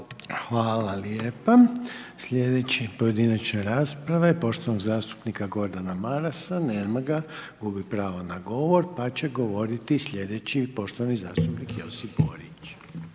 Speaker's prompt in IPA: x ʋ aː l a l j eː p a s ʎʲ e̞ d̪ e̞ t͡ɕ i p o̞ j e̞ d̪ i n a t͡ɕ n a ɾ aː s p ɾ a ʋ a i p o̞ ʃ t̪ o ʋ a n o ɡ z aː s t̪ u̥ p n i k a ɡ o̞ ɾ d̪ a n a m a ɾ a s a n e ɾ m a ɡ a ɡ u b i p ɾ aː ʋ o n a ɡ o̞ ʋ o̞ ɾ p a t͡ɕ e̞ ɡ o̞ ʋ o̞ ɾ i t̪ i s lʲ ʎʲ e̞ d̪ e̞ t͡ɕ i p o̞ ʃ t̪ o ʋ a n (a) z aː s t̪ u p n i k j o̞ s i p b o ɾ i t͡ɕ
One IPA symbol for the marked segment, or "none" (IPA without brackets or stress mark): i